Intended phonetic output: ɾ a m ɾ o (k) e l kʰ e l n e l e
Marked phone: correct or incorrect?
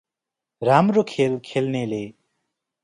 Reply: incorrect